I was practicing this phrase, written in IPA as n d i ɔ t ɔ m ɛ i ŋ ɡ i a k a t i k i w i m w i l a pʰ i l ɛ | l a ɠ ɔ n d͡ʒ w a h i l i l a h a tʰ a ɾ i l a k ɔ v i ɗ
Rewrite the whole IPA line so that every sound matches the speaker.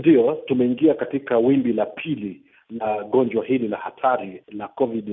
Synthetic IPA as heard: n d i ɔ t u m ɛ i ŋ ɡ i a k a t i k a w i m b i l a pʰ i l i | l a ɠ ɔ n d͡ʒ w a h i l i l a h a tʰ a ɾ i l a k ɔ v i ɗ